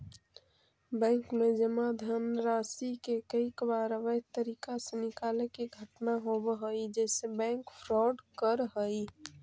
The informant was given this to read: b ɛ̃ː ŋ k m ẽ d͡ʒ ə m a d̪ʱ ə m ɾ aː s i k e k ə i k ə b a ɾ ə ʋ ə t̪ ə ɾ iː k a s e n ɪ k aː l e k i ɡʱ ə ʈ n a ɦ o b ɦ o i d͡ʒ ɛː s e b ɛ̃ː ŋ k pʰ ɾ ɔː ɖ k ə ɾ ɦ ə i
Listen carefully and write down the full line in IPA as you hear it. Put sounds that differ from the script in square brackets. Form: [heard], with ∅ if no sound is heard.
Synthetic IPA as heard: b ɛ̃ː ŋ k m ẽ d͡ʒ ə m a d̪ʱ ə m ɾ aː s i k e k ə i k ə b a ɾ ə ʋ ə t̪ ə ɾ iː k a s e n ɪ k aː l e k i ɡʱ ə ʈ n a ɦ o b ɦ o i d͡ʒ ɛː s e b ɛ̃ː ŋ k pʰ ɾ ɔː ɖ k ə ɾ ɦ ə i